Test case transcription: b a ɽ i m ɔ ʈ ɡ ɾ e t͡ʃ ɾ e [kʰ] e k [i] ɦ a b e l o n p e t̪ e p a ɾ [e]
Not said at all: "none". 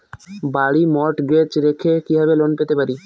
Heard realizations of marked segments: kʰ, i, i

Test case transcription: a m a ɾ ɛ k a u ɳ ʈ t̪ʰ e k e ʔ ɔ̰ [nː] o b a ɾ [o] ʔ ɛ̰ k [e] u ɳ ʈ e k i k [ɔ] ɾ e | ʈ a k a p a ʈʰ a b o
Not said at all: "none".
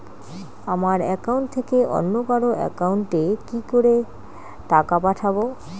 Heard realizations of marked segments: nː, o, a, o

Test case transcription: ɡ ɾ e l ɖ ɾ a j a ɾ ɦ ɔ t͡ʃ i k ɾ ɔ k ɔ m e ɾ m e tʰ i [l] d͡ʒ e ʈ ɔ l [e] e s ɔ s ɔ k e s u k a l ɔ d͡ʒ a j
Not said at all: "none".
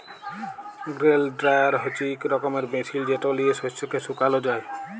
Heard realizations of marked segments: l, i

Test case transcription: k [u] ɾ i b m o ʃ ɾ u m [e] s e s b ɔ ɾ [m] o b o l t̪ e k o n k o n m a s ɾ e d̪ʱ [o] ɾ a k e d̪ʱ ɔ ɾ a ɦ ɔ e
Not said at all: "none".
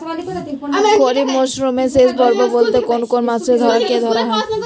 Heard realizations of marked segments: o, e, b, ɔ

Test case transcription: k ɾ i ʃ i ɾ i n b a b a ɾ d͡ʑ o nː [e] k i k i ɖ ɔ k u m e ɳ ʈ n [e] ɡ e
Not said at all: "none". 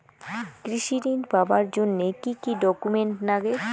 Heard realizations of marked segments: e, a

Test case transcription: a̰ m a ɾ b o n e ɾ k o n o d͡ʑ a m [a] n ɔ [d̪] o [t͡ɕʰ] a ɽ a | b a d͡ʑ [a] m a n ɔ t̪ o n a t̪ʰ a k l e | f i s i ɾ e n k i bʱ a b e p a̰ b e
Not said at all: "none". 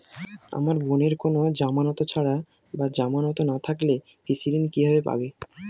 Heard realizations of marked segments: a, t̪, t͡ɕʰ, a

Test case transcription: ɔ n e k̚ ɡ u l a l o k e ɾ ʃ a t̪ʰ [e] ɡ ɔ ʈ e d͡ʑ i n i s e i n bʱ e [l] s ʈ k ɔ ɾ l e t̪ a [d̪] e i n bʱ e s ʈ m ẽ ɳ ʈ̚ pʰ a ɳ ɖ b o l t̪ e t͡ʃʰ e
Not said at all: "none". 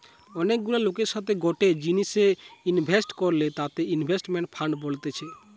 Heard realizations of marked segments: e, none, t̪

